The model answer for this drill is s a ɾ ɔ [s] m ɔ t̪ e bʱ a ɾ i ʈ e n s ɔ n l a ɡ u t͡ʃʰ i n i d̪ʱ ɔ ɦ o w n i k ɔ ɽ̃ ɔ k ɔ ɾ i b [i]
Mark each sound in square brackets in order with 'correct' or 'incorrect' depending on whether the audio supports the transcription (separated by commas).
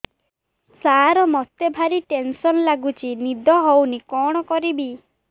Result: incorrect, correct